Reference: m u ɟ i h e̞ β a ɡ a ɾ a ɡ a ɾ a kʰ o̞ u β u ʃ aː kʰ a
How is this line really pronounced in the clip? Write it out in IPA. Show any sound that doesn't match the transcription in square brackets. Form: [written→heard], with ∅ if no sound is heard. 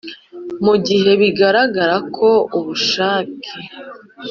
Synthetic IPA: m u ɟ i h e̞ β [a→i] ɡ a ɾ a ɡ a ɾ a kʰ o̞ u β u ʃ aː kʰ [a→e]

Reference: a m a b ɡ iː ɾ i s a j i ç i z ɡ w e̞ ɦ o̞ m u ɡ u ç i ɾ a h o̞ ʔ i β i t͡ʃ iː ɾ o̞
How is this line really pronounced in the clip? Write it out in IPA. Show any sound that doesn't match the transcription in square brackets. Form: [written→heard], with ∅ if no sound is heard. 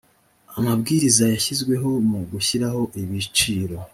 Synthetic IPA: a m a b ɡ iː ɾ i [s→z] a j [i→a] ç i z ɡ w e̞ ɦ o̞ m u ɡ u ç i ɾ a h o̞ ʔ i β i t͡ʃ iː ɾ o̞

